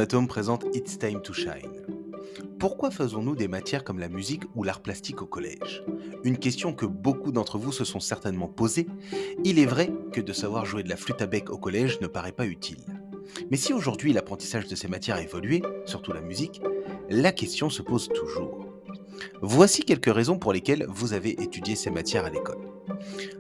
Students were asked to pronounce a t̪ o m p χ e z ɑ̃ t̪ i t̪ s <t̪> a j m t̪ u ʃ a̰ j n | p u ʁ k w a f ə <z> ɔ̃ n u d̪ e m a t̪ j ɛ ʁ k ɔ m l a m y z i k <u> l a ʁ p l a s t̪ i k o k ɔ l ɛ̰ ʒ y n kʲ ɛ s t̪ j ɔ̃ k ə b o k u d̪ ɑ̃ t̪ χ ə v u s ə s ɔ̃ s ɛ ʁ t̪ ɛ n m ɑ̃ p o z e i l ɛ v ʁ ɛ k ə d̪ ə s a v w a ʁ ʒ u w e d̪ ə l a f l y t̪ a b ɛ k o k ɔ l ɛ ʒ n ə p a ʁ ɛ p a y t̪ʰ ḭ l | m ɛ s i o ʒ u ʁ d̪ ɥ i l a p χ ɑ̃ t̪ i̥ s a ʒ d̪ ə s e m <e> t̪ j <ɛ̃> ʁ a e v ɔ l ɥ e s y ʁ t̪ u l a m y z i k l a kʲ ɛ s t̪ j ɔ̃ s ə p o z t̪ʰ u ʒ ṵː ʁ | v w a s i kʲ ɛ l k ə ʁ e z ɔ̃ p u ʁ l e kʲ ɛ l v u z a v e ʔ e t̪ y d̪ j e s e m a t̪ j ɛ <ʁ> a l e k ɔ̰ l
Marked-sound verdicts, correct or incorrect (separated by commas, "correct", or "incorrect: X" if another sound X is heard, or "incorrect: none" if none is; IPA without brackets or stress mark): correct, correct, correct, incorrect: a, incorrect: ɛ, correct